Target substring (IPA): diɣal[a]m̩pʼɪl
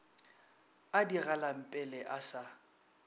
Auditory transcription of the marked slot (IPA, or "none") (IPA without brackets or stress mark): a